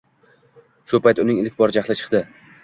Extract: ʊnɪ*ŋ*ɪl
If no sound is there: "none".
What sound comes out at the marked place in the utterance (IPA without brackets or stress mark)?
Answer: ŋ